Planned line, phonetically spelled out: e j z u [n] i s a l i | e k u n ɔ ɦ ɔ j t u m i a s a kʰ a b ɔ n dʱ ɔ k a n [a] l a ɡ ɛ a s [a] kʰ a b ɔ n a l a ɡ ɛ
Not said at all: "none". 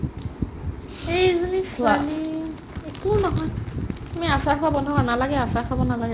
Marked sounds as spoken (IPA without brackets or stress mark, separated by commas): n, a, a